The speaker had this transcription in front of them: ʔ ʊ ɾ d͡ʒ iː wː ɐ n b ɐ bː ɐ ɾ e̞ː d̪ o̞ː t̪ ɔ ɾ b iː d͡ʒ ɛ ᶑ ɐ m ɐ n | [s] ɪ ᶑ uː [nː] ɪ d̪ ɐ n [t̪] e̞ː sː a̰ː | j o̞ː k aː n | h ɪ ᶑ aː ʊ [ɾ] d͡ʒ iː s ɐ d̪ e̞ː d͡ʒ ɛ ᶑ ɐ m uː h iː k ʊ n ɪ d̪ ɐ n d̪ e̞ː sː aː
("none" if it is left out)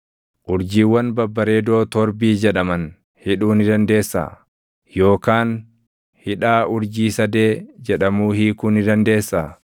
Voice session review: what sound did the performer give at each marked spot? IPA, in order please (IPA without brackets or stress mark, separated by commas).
h, n, d̪, ɾ